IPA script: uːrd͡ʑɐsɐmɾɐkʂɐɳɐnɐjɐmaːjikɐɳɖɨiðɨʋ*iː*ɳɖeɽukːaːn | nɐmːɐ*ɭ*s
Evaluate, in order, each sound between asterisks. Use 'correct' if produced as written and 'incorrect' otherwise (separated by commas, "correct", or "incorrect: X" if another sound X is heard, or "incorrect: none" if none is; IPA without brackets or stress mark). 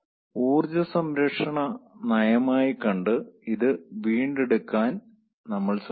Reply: correct, correct